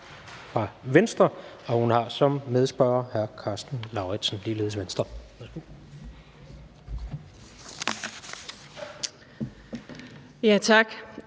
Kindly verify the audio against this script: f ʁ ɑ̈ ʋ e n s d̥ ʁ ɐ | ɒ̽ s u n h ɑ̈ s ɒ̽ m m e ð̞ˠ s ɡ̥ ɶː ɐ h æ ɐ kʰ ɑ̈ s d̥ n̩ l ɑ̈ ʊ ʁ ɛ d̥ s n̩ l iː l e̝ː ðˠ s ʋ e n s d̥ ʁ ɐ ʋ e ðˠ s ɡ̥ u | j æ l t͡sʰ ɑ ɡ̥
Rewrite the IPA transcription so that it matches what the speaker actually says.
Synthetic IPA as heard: f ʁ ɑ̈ ʋ e n s d̥ ʁ ɐ | ɒ̽ h u n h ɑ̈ s ɒ̽ m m e ð̞ˠ s b̥ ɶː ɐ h æ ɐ kʰ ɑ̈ s d̥ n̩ l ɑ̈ ʊ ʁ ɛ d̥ s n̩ l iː l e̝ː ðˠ s ʋ e n s d̥ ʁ ɐ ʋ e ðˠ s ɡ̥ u | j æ t͡sʰ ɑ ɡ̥